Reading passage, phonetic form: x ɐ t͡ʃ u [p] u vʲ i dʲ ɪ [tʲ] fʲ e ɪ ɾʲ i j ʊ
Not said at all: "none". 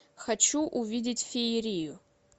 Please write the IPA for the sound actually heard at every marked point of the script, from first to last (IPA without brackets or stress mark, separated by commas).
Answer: ʔ, tʲ